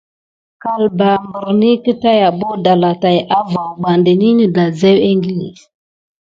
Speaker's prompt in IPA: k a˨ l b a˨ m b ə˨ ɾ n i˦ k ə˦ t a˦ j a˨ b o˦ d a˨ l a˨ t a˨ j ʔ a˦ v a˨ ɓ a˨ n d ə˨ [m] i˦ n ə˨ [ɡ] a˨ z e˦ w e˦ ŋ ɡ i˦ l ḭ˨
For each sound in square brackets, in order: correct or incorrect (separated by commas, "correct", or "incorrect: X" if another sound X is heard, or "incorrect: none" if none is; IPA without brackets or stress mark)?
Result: incorrect: n, incorrect: d